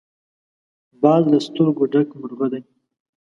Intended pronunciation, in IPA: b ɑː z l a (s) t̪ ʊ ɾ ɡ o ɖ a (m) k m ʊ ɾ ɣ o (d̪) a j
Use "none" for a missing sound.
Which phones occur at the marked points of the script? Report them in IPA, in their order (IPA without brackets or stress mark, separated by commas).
s, none, d̪